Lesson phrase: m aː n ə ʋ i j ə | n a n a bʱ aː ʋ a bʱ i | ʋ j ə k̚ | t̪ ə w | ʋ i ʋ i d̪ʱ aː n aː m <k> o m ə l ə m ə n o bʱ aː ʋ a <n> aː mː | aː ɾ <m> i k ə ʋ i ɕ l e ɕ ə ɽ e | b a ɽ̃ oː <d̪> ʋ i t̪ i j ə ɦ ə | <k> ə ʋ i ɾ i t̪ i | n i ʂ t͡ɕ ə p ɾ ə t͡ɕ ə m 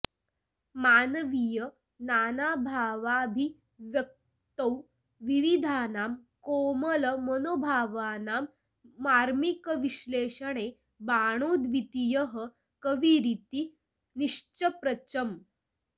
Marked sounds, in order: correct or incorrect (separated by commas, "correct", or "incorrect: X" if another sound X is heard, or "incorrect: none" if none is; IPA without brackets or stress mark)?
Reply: correct, correct, correct, correct, correct